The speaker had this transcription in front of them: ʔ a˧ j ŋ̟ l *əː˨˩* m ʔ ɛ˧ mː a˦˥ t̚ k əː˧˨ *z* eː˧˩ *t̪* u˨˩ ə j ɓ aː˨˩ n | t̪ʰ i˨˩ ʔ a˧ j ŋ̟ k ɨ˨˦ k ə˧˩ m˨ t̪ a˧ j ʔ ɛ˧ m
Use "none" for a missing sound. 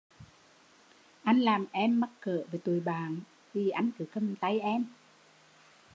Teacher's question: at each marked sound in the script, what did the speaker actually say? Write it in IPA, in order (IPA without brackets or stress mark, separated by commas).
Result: aː˨˩, v, t̪